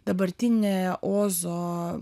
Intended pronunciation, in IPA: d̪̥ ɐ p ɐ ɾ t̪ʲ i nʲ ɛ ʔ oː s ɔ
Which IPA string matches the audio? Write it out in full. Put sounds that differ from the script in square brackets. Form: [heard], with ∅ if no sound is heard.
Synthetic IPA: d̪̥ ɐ [b] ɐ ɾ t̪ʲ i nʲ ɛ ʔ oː [z] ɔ

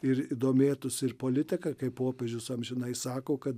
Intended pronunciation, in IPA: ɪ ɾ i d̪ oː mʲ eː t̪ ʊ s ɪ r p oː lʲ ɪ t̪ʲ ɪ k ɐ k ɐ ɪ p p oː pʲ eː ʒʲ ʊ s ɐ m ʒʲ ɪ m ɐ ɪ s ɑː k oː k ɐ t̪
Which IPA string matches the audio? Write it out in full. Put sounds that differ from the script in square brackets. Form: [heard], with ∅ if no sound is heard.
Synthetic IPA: ɪ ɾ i d̪ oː mʲ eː t̪ ʊ s ɪ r p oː lʲ ɪ t̪ʲ ɪ k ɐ k ɐ ɪ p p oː pʲ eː ʒʲ ʊ s ɐ m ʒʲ ɪ [n] ɐ ɪ s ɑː k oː k ɐ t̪

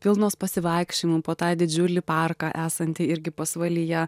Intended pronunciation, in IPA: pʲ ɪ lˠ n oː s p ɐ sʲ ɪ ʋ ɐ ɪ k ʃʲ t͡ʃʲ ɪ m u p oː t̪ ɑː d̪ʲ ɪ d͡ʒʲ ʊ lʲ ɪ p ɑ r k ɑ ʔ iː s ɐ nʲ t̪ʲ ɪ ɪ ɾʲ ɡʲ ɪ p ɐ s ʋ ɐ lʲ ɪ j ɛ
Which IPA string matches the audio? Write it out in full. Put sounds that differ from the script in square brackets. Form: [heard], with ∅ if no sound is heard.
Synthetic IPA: pʲ ɪ lˠ n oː s p ɐ sʲ ɪ ʋ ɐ ɪ k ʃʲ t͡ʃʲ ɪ m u p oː t̪ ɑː d̪ʲ ɪ d͡ʒʲ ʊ lʲ ɪ p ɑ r k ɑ ʔ [æː] s ɐ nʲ t̪ʲ ɪ ɪ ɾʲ ɡʲ ɪ p ɐ s ʋ ɐ lʲ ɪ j ɛ

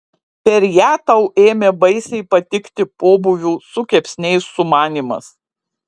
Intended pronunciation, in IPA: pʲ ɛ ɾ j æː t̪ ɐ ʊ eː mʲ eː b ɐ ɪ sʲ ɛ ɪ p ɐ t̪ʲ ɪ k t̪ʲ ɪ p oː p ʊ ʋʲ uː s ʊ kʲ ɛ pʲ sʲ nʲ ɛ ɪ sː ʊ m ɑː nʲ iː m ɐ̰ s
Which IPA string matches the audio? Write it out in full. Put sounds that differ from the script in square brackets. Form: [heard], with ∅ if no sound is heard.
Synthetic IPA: pʲ ɛ ɾ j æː t̪ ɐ ʊ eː mʲ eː b ɐ ɪ sʲ ɛ ɪ p ɐ t̪ʲ ɪ k t̪ʲ ɪ p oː [b] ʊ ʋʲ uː s ʊ kʲ ɛ pʲ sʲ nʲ ɛ ɪ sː ʊ m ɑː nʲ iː m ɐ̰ s

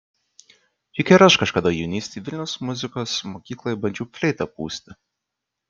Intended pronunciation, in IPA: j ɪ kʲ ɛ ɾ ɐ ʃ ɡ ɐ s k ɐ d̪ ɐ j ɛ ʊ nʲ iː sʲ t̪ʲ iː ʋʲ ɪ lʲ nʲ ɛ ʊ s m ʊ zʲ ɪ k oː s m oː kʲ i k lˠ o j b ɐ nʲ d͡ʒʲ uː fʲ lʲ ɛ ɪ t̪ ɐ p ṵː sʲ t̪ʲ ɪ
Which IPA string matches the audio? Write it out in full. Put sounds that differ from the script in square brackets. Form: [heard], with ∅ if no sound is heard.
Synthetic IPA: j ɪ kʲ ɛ ɾ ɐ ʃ [k] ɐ [ʃ] k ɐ d̪ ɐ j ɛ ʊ nʲ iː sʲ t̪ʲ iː ʋʲ ɪ lʲ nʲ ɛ ʊ s m ʊ zʲ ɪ k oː s m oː kʲ [iː] k lˠ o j b ɐ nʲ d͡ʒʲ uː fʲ lʲ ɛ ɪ t̪ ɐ p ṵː sʲ t̪ʲ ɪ

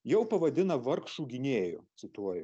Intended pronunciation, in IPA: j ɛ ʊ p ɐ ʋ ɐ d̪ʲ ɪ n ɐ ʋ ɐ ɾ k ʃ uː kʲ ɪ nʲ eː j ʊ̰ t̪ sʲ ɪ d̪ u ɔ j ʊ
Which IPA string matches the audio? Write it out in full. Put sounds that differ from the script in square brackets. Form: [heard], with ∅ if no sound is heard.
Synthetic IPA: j ɛ ʊ p ɐ ʋ ɐ d̪ʲ ɪ n ɐ ʋ ɐ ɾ k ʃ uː [ɡʲ] ɪ nʲ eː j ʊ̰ t̪ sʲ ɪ [t̪] u ɔ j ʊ

